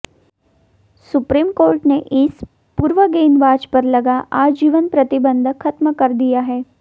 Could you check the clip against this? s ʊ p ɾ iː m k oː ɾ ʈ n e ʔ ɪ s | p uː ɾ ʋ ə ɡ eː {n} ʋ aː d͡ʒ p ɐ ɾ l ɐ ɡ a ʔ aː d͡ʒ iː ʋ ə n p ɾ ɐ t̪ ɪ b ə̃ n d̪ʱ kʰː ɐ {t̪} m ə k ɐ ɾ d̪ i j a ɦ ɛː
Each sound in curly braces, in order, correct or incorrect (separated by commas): correct, correct